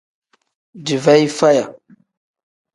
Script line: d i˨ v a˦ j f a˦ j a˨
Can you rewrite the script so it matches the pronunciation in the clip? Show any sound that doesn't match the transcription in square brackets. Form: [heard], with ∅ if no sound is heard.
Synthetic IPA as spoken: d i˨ v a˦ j f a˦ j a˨